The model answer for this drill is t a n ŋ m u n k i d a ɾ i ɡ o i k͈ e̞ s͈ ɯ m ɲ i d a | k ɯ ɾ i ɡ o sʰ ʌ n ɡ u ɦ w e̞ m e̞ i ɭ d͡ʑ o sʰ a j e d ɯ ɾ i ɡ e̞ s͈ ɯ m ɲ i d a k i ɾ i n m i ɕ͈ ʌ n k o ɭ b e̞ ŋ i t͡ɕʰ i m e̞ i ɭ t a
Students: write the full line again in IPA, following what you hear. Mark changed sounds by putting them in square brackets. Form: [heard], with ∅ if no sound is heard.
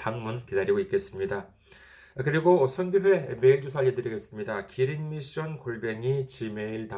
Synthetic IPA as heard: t a [∅] ŋ m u n k i d a ɾ i ɡ o i k͈ e̞ s͈ ɯ m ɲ i d a | k ɯ ɾ i ɡ o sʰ ʌ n ɡ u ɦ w e̞ m e̞ i ɭ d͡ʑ o sʰ a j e d ɯ ɾ i ɡ e̞ s͈ ɯ m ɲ i d a k i ɾ i n m i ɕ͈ ʌ n k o ɭ b e̞ ŋ i [t͡ɕ] i m e̞ i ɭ t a